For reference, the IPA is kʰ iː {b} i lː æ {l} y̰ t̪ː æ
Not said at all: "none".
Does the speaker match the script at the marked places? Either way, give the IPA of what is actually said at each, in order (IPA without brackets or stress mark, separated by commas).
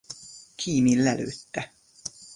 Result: m, l